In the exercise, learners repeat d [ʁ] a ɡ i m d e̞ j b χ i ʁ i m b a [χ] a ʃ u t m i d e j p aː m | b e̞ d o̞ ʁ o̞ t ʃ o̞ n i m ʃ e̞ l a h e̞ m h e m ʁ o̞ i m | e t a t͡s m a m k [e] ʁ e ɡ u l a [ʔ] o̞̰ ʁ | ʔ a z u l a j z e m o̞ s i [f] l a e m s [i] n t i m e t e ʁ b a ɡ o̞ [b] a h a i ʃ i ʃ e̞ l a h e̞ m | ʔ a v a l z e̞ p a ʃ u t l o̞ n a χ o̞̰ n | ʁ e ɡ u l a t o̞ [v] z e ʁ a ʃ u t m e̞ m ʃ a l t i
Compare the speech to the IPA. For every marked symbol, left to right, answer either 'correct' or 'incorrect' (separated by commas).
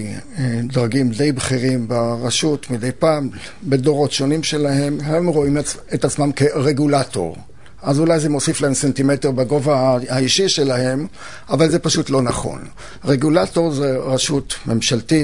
correct, incorrect, correct, incorrect, correct, incorrect, incorrect, incorrect